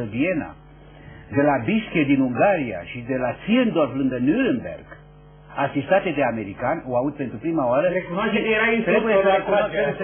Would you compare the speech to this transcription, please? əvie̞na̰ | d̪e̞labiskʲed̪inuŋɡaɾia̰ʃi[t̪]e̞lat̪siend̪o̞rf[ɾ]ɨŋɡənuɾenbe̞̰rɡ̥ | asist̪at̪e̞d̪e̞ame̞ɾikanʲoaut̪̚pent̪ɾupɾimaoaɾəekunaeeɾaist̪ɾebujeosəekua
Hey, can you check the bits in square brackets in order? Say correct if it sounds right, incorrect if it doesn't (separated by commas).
incorrect, incorrect